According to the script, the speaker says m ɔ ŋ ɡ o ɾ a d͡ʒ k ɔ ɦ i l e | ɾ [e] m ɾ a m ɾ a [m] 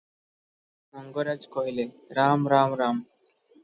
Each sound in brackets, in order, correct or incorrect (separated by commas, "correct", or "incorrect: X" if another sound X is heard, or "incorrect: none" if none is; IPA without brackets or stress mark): incorrect: a, correct